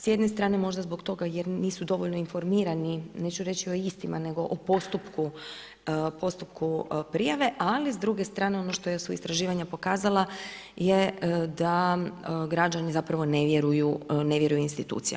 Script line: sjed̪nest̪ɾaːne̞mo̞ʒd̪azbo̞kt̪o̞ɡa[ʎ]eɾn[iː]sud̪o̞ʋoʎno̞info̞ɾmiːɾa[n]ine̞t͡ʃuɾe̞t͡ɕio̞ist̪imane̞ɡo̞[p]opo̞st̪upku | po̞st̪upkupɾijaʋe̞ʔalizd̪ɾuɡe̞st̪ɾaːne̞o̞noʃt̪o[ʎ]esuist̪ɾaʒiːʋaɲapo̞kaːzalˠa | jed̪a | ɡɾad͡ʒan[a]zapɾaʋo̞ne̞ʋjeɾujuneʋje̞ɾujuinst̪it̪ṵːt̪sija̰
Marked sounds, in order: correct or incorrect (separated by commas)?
incorrect, correct, correct, incorrect, incorrect, incorrect